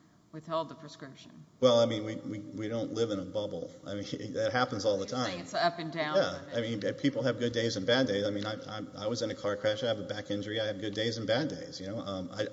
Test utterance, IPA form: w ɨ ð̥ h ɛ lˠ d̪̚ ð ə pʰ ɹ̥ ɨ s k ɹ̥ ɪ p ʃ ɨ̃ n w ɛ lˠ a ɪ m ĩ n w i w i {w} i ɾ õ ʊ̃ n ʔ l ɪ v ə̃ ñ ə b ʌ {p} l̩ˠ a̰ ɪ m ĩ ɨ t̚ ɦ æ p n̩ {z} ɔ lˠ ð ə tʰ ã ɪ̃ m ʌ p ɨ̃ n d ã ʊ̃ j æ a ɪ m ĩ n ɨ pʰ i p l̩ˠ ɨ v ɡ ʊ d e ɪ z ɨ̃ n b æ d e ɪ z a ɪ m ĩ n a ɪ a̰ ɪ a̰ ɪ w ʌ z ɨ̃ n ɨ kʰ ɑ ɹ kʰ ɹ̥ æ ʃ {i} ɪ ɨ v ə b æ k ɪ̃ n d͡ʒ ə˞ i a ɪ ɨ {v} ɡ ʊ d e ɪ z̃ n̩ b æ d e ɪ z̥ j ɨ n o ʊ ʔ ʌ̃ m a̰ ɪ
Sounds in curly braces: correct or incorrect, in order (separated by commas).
correct, incorrect, correct, incorrect, correct